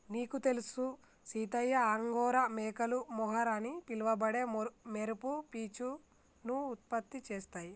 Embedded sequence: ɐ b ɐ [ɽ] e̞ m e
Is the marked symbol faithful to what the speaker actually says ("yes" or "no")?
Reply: yes